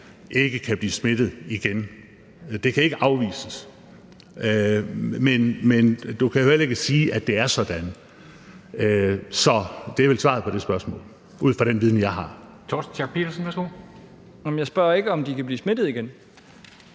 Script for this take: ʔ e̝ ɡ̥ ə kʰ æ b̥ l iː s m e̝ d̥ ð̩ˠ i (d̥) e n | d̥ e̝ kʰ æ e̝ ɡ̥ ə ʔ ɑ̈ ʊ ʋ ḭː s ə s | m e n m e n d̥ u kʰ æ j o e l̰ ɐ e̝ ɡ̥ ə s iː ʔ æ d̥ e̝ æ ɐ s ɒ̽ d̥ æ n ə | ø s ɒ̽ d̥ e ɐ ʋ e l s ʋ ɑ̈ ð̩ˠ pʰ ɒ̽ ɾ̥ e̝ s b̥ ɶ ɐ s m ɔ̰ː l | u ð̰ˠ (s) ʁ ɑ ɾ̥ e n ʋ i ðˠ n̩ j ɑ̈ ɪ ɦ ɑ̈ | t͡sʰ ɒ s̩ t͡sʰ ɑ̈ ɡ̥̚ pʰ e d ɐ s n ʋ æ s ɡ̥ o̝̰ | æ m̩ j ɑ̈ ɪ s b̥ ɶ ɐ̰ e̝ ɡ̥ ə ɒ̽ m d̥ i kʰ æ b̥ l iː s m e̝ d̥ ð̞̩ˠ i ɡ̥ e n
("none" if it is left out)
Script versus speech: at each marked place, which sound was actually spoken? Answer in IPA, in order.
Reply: ɡ̥, f

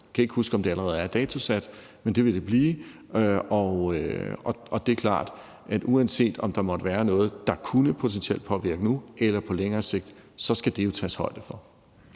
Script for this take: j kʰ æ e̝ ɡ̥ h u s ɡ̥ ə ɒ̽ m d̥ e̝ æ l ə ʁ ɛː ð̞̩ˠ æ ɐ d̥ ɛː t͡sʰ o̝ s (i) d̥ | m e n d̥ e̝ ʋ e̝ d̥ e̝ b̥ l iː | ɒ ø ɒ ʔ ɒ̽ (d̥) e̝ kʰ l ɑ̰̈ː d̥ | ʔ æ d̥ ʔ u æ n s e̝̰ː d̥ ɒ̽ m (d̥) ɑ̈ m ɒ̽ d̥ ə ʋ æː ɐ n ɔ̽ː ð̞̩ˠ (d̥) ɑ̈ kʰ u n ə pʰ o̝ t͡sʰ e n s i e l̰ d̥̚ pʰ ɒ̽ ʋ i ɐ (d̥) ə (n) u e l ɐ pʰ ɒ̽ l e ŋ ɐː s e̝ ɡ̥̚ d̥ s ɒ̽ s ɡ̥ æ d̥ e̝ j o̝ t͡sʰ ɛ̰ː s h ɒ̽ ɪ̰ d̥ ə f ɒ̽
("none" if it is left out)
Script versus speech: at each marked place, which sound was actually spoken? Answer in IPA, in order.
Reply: æ, d̥, d̥, d̥, ɡ̥, n

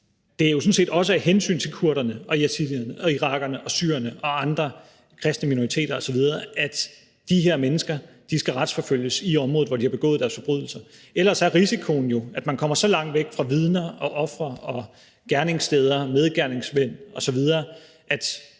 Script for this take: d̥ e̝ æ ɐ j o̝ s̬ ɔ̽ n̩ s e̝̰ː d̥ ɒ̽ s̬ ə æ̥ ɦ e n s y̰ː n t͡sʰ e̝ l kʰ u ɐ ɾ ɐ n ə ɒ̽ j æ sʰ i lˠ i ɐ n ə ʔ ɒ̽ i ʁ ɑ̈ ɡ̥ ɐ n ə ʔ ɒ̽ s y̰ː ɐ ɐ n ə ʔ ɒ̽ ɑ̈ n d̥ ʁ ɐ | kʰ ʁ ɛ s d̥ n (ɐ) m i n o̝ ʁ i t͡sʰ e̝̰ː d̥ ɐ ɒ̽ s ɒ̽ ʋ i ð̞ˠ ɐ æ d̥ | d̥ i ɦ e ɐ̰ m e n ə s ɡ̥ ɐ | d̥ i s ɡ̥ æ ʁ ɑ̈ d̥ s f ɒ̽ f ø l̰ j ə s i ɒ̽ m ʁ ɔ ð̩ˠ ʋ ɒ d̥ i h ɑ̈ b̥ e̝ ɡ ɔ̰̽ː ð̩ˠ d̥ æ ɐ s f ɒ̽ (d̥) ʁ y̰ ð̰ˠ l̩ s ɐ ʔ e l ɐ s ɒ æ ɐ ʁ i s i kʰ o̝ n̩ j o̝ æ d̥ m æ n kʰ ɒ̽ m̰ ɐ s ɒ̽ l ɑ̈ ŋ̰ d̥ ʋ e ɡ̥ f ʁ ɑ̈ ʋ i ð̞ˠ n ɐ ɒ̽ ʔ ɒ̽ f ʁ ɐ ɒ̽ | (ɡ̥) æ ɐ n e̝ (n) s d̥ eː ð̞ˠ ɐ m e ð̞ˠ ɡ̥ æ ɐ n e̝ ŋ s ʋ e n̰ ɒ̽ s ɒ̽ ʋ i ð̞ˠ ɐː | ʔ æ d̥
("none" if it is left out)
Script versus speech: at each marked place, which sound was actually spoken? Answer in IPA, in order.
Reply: ə, b̥, ɡ̥, ŋ

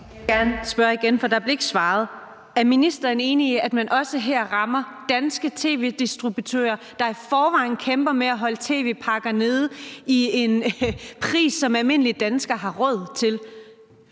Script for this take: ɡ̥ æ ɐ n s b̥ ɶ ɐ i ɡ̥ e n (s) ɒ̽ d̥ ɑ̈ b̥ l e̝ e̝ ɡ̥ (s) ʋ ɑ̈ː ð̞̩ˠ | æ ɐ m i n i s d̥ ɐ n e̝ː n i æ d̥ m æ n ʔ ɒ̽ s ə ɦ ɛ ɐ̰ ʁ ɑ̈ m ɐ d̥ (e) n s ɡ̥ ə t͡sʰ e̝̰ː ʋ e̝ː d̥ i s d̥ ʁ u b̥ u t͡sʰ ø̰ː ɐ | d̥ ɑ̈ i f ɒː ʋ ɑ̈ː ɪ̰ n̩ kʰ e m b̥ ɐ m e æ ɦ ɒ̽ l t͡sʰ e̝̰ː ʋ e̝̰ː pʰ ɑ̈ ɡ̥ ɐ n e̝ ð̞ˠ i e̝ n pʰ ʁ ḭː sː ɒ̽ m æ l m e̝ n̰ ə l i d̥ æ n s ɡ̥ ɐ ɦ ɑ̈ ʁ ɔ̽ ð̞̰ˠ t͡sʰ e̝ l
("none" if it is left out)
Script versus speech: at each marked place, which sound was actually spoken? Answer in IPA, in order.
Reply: f, s, æ

